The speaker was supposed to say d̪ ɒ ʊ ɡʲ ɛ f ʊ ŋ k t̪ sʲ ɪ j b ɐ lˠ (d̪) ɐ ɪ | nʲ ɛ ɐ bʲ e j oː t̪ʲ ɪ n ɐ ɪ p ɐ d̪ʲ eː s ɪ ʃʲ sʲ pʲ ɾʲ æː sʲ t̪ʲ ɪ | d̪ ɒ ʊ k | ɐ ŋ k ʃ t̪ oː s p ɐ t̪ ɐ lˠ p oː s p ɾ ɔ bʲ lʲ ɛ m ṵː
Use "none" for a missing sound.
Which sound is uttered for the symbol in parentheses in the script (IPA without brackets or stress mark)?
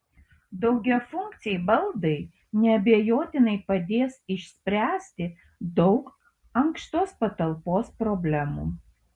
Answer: d̪